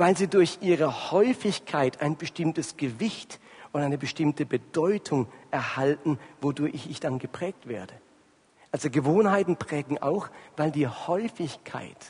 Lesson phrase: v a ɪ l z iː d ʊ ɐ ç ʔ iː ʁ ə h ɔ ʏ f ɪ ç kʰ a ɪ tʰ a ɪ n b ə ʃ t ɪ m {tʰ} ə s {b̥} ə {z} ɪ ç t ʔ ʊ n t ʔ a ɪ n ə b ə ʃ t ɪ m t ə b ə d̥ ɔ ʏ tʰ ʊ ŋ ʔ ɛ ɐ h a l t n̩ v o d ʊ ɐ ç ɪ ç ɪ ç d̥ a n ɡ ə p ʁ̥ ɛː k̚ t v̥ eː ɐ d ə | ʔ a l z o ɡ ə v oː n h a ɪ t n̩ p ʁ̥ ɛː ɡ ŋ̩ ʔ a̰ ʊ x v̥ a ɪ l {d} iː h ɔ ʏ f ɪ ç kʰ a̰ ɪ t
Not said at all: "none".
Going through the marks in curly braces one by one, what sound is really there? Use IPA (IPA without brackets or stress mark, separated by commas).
t, ɡ̥, v, d